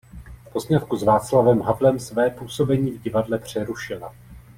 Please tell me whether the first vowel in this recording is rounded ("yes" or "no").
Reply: yes